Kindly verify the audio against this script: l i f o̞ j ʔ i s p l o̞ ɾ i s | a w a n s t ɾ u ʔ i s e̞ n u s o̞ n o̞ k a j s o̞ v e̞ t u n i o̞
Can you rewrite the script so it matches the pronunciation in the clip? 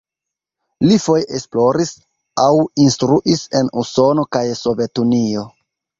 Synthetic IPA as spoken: l i f o̞ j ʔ e s p l o̞ ɾ i s | a w i n s t ɾ u ʔ i s e̞ n u s o̞ n o̞ k a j s o̞ v e̞ t u n i o̞